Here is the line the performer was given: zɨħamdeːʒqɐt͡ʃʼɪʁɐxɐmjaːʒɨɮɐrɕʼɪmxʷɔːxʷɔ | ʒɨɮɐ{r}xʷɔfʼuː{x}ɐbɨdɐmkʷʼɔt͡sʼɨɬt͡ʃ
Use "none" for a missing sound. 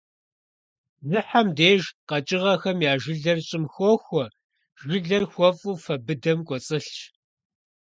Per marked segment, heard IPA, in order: r, f

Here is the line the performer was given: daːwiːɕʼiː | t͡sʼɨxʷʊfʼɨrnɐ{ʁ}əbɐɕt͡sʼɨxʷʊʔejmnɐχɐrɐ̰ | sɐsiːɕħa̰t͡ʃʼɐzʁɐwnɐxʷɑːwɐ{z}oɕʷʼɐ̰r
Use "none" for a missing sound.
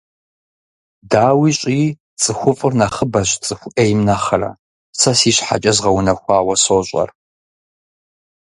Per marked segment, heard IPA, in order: χ, s

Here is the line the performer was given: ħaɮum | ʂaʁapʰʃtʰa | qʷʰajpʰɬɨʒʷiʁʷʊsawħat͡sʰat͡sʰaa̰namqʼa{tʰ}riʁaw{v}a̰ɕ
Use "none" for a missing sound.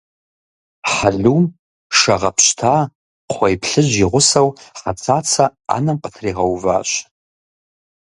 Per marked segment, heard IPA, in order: tʰ, v

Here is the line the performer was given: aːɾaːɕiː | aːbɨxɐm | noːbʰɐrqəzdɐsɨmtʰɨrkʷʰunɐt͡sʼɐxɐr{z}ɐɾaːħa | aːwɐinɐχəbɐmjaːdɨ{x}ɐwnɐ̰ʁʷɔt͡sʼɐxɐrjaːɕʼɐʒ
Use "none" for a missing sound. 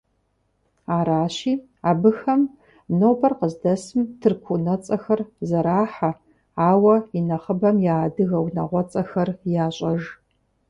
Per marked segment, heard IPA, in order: z, ɣ

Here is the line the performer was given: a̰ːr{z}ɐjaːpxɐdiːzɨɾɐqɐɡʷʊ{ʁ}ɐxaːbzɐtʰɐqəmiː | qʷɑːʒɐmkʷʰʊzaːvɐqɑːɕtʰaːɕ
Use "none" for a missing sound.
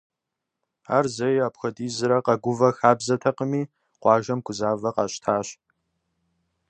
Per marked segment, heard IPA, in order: z, v

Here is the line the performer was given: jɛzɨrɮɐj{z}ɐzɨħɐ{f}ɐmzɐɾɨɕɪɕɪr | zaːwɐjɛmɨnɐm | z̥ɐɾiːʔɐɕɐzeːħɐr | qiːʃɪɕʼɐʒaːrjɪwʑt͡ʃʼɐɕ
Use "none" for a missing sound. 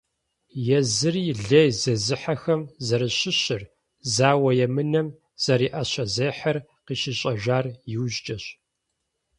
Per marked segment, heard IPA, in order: z, x

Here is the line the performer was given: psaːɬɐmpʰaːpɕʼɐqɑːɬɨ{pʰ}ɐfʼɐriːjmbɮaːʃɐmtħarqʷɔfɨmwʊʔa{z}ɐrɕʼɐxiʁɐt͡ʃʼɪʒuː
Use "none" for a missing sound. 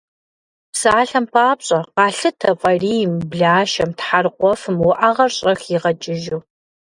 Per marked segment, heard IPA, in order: tʰ, ʁ

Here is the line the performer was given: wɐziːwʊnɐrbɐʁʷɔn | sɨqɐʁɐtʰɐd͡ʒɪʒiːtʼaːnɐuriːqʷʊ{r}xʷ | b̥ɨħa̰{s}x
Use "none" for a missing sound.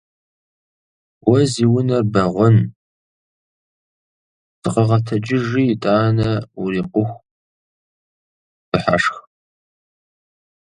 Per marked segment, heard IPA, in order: none, ʂ

